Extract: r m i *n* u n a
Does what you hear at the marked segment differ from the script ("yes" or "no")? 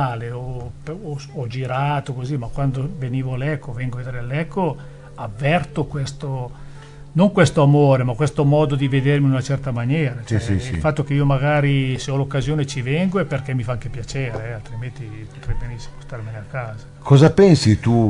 no